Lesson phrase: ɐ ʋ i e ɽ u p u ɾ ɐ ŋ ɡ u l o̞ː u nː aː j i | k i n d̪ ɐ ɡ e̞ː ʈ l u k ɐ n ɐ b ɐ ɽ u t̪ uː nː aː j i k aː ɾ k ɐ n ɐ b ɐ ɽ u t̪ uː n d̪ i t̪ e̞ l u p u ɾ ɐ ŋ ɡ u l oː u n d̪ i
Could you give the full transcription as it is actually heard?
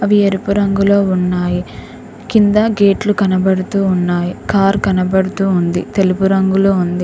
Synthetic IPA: ɐ ʋ i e ɾ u p u ɾ ɐ ŋ ɡ u l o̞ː u nː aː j i | k i n d̪ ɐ ɡ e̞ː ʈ l u k ɐ n ɐ b ɐ ɽ u t̪ uː nː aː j i k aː ɾ k ɐ n ɐ b ɐ ɽ u t̪ uː n d̪ i t̪ e̞ l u p u ɾ ɐ ŋ ɡ u l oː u n d̪ i